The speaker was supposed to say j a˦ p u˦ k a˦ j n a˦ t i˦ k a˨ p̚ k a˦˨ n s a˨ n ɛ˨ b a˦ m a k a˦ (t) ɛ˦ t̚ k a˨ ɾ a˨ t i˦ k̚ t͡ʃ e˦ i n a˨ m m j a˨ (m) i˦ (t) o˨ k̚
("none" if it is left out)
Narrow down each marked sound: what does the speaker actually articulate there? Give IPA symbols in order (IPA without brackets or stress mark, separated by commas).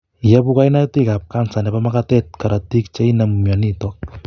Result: t, n, t